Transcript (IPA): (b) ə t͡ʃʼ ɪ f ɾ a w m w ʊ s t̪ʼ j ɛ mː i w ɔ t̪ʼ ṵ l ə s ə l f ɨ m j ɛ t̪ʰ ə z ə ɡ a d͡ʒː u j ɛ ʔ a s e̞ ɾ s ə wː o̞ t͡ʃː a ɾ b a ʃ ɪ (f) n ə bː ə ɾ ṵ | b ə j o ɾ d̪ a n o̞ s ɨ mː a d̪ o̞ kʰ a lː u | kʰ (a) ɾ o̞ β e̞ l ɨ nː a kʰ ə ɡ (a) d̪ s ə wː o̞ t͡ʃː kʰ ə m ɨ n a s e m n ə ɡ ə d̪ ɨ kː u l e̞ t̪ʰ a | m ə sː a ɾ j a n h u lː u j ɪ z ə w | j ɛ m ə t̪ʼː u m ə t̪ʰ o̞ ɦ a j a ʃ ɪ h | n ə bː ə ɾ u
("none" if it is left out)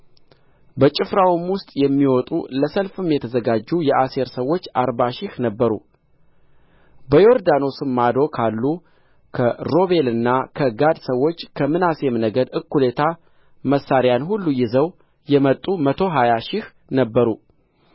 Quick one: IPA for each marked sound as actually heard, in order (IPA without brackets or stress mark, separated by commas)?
b, h, ə, a